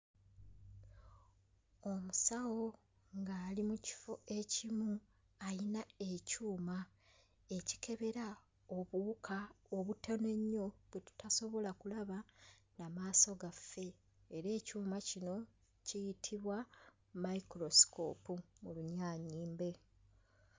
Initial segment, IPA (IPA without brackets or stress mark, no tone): o̞